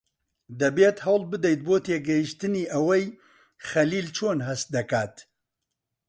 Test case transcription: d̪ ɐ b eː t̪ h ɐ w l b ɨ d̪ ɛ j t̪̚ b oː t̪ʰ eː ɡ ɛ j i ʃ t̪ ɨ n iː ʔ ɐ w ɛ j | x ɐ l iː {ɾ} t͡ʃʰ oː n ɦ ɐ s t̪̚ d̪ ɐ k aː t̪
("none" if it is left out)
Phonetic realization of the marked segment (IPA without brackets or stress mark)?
l